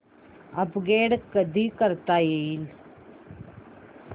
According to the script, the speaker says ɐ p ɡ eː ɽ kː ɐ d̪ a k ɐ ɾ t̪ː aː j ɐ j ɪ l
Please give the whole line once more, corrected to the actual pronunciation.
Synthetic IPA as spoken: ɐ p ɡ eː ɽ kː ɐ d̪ i k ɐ ɾ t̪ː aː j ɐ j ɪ l